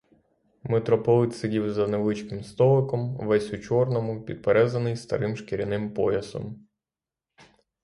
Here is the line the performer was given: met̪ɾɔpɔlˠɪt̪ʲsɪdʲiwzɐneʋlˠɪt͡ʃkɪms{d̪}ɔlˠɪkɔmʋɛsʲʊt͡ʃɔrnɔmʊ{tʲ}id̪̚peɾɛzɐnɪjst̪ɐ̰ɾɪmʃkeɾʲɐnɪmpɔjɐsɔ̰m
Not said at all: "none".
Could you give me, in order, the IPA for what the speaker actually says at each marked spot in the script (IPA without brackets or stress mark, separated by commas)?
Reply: t̪, pʲ